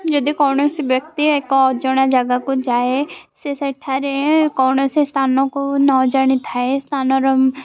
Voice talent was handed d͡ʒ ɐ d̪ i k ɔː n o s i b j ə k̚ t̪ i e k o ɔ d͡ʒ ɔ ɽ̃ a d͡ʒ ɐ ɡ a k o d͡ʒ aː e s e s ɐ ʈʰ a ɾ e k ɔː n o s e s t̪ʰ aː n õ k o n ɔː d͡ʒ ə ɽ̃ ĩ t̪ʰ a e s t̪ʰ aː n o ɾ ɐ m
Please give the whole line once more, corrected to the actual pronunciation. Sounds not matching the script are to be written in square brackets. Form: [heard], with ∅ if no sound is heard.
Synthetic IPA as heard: d͡ʒ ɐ d̪ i k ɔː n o s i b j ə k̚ t̪ i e k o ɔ d͡ʒ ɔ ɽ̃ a d͡ʒ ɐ ɡ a k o d͡ʒ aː e s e s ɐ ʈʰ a ɾ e k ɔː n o s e s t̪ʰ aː n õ k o n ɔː d͡ʒ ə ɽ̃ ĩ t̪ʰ a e s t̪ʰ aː n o ɾ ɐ m